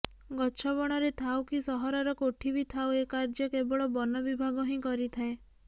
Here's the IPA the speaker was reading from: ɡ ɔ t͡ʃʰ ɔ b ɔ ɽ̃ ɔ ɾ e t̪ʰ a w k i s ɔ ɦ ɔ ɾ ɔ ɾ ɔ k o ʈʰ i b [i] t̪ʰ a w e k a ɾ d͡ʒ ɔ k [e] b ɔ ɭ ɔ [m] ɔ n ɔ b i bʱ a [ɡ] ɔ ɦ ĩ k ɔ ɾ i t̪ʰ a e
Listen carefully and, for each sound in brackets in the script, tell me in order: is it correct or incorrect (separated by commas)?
correct, correct, incorrect, correct